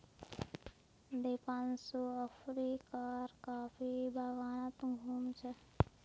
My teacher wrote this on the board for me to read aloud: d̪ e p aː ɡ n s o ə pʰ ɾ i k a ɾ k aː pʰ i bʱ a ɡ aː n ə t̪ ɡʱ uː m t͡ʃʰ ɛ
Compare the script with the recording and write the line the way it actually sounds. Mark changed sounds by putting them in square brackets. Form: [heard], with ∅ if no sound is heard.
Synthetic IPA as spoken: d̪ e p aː [∅] n s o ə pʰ ɾ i k a ɾ k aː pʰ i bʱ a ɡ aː n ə t̪ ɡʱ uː m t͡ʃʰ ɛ